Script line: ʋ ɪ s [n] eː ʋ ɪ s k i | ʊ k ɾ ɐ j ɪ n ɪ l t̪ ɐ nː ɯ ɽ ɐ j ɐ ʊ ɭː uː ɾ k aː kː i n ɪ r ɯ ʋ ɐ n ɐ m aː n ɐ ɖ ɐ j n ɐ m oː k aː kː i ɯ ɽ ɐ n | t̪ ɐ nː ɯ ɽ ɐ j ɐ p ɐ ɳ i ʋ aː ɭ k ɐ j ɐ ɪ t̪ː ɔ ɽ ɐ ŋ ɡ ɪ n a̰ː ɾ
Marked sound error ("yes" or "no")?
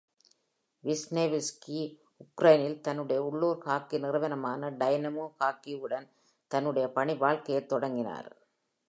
no